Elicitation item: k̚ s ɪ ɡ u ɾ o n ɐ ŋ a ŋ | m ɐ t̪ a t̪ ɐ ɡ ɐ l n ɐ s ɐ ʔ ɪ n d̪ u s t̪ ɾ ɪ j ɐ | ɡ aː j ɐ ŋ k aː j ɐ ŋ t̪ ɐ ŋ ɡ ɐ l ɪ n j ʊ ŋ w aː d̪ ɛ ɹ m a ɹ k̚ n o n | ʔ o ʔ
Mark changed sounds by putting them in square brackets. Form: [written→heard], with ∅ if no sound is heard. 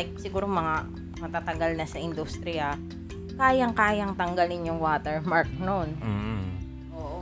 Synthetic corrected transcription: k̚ s ɪ ɡ [u→uː] ɾ o [n→m] ɐ ŋ a [ŋ→∅] | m ɐ t̪ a t̪ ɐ ɡ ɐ l n ɐ s ɐ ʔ ɪ n d̪ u s t̪ ɾ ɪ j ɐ | [ɡ→k] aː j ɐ ŋ k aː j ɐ ŋ t̪ ɐ ŋ ɡ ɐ l ɪ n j ʊ ŋ w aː [d̪→t̪] ɛ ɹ m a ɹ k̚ n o n | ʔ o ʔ